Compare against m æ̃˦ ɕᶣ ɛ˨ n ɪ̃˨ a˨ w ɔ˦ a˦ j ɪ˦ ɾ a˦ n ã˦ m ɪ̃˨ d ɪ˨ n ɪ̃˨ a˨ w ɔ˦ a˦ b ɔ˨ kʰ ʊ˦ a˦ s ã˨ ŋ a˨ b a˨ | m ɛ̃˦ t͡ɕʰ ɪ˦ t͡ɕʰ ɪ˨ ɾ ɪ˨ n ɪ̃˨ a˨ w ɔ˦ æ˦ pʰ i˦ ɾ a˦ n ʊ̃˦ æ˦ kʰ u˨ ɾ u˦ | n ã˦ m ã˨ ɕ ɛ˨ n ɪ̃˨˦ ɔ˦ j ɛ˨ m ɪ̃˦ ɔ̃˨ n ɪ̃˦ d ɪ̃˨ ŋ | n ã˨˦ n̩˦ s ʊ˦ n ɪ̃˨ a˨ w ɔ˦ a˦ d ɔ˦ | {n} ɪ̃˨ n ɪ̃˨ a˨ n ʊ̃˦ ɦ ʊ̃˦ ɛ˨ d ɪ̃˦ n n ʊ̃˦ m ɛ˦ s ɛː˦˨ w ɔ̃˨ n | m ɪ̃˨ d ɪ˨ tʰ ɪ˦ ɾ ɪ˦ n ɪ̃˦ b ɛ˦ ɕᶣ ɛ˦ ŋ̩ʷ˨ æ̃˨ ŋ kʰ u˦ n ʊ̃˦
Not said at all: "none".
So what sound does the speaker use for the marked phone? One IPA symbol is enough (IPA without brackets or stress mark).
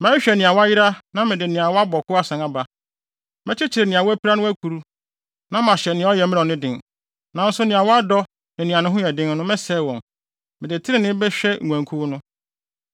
n